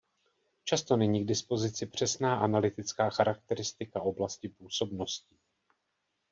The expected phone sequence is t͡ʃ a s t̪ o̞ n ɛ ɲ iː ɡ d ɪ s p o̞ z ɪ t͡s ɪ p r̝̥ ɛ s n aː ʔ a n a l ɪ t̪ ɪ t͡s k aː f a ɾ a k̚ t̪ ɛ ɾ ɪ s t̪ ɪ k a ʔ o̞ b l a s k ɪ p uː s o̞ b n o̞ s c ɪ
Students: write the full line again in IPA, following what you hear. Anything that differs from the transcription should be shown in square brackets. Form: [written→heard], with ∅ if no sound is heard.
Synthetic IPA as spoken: t͡ʃ a s t̪ o̞ n ɛ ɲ iː ɡ d ɪ s p o̞ z ɪ t͡s ɪ p r̝̥ ɛ s n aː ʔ a n a l ɪ t̪ ɪ t͡s k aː [f→x] a ɾ a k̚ t̪ ɛ ɾ ɪ s t̪ ɪ k a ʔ o̞ b l a s [k→c] ɪ p uː s o̞ b n o̞ s c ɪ